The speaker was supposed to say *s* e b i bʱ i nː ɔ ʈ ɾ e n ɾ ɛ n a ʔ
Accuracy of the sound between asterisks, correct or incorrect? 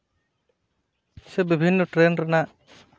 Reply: correct